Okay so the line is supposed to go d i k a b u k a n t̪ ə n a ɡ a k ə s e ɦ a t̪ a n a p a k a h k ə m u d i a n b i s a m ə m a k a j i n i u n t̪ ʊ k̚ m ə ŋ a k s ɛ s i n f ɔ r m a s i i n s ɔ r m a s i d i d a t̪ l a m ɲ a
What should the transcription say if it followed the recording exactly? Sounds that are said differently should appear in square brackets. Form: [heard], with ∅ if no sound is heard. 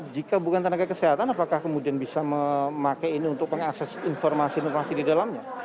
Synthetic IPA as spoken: [d͡ʒ] i k a b u k a n t̪ ə n a ɡ a k ə s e ɦ a t̪ a n a p a k a h k ə m u d i a n b i s a m ə m a k a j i n i u n t̪ ʊ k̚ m ə ŋ a k s ɛ s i n f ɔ r m a s i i n [f] ɔ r m a s i d i d a [∅] l a m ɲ a